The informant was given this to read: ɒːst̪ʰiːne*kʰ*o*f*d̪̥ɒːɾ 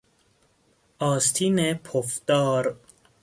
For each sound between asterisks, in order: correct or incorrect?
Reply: incorrect, correct

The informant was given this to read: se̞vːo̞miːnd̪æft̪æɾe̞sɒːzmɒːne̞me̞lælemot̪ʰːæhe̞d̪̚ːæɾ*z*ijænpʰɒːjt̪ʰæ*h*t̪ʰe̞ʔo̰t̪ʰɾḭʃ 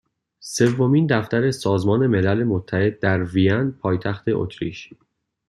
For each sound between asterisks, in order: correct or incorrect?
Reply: incorrect, incorrect

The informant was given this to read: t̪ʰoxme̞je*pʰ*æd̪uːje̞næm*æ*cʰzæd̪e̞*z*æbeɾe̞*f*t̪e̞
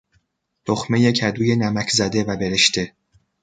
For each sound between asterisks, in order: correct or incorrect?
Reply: incorrect, correct, incorrect, incorrect

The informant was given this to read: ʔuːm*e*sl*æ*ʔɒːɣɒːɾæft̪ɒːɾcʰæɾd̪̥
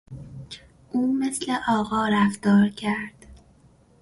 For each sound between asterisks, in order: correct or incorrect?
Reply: correct, incorrect

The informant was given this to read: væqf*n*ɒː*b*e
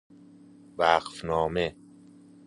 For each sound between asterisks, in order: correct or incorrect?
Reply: correct, incorrect

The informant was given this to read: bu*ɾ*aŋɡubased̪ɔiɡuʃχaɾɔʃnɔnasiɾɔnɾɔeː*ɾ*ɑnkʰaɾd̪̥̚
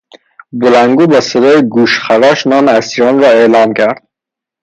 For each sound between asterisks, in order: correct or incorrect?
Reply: incorrect, incorrect

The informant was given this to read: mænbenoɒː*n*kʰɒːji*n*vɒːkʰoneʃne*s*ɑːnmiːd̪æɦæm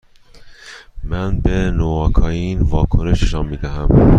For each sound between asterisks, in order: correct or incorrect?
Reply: incorrect, correct, incorrect

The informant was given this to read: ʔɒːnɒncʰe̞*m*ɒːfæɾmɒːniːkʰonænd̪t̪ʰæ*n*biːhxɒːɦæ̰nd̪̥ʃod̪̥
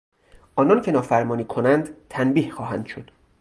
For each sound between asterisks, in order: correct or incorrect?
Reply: incorrect, correct

